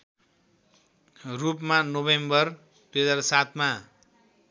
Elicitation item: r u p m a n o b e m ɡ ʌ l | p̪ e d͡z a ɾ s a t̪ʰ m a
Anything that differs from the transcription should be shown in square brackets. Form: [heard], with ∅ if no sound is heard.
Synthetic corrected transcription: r u p m a n o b e m [b] ʌ [r] | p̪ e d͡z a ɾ s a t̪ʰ m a